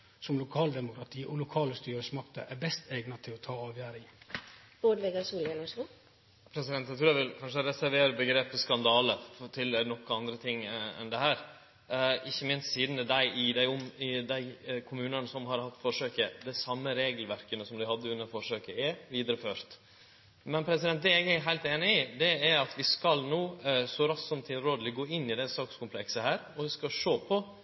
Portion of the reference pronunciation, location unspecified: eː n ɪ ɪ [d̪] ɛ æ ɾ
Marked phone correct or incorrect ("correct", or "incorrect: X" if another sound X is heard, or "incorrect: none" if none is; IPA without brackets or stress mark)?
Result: correct